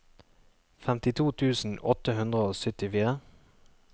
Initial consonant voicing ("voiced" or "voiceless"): voiceless